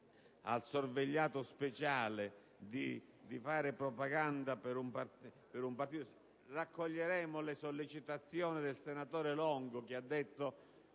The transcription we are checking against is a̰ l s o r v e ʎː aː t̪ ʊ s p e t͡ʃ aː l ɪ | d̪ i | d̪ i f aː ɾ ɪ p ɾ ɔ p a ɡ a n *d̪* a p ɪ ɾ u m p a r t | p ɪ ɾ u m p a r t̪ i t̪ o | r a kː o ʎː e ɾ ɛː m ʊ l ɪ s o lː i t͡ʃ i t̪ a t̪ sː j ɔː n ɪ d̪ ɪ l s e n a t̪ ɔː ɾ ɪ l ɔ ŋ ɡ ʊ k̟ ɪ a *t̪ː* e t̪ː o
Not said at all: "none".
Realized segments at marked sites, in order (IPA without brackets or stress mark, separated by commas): d̪, d̪ː